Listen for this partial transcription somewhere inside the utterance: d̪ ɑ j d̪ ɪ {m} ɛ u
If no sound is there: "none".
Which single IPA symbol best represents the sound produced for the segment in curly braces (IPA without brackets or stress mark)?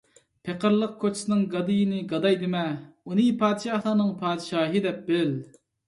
m